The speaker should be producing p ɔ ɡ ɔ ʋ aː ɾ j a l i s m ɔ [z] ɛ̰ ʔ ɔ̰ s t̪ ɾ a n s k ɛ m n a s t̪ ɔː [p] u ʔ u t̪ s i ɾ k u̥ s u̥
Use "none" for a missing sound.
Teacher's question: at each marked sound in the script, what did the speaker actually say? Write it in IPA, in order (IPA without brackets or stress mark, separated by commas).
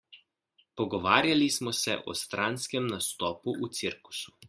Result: s, p